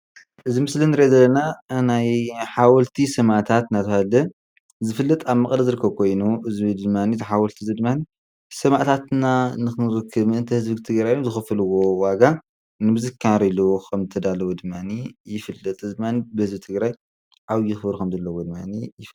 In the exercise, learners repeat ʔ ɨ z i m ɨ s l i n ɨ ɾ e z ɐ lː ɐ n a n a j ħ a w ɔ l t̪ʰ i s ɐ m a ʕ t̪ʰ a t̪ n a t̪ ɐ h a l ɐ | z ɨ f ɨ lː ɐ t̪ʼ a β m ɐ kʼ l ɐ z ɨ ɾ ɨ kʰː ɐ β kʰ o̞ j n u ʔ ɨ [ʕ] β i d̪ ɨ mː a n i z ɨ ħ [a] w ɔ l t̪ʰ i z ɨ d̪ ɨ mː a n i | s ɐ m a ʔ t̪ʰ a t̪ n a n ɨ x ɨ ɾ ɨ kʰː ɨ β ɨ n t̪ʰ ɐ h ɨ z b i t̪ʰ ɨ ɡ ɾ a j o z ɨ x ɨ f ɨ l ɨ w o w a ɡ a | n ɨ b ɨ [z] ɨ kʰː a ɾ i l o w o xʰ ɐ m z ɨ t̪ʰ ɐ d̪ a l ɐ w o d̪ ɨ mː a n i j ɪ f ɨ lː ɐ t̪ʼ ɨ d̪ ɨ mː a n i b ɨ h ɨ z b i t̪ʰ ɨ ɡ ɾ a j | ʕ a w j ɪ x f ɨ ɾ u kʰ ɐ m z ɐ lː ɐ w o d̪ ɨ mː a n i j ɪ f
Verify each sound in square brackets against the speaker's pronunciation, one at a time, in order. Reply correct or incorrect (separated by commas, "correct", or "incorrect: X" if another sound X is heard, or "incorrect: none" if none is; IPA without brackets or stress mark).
incorrect: z, correct, correct